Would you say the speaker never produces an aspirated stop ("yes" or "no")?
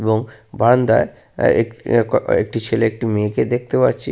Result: no